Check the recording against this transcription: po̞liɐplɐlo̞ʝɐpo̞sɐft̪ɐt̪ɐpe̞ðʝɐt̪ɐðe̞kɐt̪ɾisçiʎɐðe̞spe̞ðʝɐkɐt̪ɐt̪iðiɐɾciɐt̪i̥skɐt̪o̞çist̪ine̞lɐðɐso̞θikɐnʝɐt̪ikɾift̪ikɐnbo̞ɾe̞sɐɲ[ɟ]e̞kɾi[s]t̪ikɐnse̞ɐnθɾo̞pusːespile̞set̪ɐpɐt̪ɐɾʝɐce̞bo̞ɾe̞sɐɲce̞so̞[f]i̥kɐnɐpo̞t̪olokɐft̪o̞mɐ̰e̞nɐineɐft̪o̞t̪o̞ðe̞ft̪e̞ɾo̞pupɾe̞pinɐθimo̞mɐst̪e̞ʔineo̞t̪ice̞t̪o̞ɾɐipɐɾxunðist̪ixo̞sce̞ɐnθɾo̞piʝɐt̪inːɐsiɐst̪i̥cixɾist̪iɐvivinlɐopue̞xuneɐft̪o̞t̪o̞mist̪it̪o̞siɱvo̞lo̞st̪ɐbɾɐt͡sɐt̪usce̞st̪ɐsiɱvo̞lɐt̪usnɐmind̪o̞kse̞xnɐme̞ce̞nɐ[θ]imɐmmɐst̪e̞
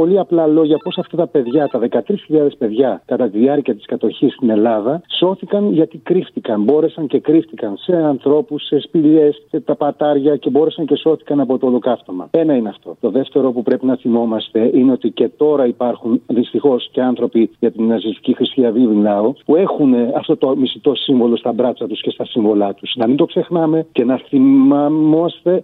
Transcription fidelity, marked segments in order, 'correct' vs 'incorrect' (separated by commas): incorrect, incorrect, incorrect, correct